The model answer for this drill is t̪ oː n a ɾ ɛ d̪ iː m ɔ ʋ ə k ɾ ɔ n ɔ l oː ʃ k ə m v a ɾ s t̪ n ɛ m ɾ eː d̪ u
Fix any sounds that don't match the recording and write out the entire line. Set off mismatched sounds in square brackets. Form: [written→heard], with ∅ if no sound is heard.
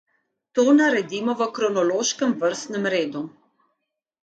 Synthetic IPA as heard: t̪ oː n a ɾ ɛ d̪ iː m ɔ ʋ ə k ɾ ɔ n ɔ l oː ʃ k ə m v [a→ə] ɾ s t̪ n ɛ m ɾ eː d̪ u